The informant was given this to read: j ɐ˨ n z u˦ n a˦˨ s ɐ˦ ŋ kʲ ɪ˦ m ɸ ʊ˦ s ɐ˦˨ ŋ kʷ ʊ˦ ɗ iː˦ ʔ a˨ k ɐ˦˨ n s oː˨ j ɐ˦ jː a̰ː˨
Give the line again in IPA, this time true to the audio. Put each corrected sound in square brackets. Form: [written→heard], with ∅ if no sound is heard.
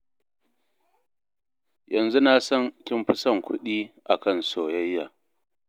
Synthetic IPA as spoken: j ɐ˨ n z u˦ n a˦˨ s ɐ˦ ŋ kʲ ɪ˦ m ɸ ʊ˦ s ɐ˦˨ ŋ kʷ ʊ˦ ɗ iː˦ ʔ a˨ k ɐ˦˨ n s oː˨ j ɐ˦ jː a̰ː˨